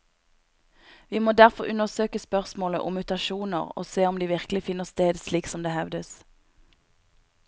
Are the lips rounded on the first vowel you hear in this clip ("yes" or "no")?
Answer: no